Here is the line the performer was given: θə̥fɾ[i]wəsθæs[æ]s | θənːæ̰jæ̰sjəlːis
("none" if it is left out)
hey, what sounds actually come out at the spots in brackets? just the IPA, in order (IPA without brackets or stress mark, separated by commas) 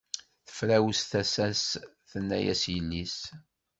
æ, æ